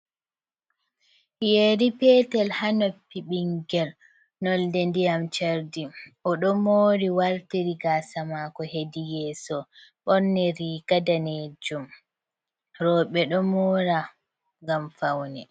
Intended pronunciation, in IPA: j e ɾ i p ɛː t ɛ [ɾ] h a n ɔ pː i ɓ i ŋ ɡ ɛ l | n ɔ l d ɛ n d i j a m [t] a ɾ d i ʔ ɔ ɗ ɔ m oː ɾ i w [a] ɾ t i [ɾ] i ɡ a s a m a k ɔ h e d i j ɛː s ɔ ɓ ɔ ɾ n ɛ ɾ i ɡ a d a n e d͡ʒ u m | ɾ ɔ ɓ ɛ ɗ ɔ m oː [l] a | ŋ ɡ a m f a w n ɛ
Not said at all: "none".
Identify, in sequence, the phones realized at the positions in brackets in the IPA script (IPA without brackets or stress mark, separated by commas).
l, t͡ʃ, a, ɾ, ɾ